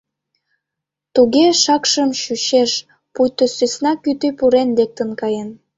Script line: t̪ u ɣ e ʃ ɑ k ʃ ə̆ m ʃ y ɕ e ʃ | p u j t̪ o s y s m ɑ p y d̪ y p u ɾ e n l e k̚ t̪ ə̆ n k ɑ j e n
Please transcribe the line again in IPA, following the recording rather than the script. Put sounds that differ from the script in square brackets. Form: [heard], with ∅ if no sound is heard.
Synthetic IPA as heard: t̪ u ɣ e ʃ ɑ k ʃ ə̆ m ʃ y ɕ e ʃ | p u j t̪ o s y s [n] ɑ [k] y [t̪] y p u ɾ e n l e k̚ t̪ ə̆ n k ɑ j e n